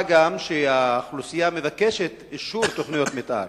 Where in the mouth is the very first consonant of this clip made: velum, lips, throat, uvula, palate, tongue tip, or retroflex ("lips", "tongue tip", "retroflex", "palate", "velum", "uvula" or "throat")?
velum